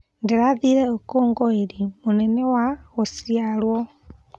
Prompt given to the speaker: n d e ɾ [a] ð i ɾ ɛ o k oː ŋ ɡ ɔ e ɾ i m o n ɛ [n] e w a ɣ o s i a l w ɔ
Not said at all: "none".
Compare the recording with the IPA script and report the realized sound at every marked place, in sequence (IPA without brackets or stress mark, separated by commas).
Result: a, n